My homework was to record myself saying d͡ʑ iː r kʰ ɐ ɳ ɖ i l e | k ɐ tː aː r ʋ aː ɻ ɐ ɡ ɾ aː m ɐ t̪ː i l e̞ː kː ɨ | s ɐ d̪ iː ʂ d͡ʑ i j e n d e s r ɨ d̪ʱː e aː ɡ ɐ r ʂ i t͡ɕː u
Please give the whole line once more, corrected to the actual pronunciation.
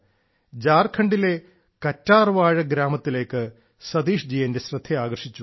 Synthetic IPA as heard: d͡ʑ aː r kʰ ɐ ɳ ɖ i l e | k ɐ tː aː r ʋ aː ɻ ɐ ɡ ɾ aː m ɐ t̪ː i l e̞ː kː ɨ | s ɐ d̪ iː ʂ d͡ʑ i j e n d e s r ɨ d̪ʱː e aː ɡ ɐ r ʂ i t͡ɕː u